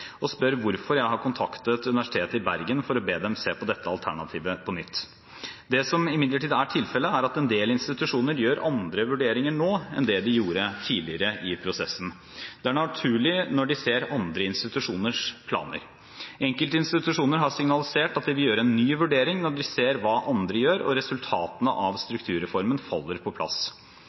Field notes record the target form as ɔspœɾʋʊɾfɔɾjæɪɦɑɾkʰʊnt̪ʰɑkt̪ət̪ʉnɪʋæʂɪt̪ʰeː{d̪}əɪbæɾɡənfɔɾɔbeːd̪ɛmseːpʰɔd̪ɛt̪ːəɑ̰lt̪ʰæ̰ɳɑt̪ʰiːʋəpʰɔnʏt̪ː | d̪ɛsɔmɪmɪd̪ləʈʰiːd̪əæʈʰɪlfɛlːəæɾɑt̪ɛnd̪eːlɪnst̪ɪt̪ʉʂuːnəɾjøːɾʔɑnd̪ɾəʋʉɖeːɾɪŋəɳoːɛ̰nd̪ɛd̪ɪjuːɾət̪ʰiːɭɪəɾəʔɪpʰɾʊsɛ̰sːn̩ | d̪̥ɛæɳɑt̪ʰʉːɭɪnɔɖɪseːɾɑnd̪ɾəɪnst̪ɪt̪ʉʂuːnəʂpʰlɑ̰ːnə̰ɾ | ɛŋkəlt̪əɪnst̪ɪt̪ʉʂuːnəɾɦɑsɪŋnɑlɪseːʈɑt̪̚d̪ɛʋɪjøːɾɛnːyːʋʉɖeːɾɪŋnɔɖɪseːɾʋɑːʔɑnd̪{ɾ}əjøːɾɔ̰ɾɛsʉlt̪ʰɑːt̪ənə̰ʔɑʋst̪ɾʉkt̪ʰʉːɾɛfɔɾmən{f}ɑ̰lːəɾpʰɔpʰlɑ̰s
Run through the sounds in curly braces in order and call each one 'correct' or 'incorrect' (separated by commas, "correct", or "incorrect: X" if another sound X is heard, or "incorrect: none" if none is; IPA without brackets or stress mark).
incorrect: t̪, correct, correct